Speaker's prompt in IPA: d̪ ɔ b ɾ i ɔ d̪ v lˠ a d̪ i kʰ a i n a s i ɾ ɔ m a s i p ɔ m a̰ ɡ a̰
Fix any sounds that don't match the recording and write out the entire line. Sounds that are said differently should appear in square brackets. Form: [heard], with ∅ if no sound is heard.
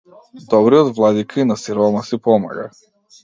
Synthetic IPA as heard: d̪ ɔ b ɾ i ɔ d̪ v lˠ a d̪ i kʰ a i n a s i ɾ ɔ m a s i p ɔ m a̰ ɡ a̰